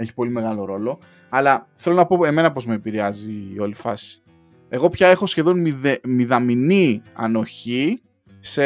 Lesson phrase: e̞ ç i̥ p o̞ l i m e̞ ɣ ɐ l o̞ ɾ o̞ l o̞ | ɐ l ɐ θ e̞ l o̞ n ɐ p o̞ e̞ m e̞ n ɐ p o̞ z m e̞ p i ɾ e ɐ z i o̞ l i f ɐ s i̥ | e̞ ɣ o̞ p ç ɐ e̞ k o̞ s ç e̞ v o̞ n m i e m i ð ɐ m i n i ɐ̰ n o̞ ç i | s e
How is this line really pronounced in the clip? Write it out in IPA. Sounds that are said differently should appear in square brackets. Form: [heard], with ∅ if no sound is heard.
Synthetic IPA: e̞ ç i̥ p o̞ l i m e̞ ɣ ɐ l o̞ ɾ o̞ l o̞ | ɐ l ɐ θ e̞ l o̞ n ɐ p o̞ e̞ m e̞ n ɐ p o̞ z m e̞ p i ɾ e ɐ z i o̞ l i f ɐ s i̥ | e̞ ɣ o̞ p ç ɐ e̞ [x] o̞ s ç e̞ [ð] o̞ n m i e m i ð ɐ m i n i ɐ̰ n o̞ ç i | s e